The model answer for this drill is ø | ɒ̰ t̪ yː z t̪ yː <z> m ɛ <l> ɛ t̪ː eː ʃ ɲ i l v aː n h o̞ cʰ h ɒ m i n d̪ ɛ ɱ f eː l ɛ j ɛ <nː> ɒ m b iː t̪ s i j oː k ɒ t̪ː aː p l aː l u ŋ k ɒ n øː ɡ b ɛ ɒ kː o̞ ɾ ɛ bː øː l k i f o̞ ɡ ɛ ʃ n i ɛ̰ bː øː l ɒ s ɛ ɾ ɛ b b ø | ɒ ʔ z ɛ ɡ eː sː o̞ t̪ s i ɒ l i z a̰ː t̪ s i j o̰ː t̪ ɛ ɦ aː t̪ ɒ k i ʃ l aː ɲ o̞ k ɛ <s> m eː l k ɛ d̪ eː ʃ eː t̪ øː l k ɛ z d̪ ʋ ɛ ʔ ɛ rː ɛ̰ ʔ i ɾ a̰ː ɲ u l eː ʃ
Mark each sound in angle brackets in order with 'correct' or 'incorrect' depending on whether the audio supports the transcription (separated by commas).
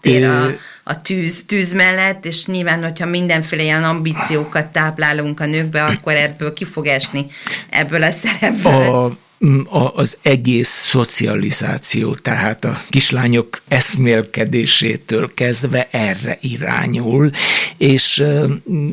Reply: correct, incorrect, incorrect, correct